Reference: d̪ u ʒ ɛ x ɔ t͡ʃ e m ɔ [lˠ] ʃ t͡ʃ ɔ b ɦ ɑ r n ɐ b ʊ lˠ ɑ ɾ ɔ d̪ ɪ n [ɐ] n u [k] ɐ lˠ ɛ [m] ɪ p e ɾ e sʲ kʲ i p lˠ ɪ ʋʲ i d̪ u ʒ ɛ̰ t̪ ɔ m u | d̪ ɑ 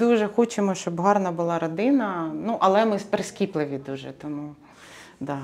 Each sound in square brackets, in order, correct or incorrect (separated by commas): incorrect, correct, incorrect, correct